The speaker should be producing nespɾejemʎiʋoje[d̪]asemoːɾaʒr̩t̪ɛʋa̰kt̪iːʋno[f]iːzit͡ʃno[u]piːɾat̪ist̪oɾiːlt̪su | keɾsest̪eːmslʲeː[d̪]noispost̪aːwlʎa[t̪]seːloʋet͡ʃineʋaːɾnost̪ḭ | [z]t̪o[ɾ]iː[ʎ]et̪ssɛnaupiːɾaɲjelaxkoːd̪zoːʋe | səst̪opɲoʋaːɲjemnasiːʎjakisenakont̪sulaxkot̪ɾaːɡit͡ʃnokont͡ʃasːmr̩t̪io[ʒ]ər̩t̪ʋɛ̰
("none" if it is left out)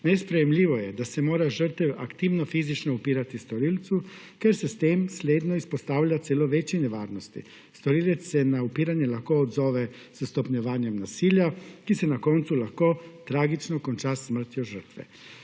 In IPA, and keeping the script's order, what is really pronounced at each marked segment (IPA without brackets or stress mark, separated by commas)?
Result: d̪, f, u, d̪, t̪, s, ɾ, l, ʒ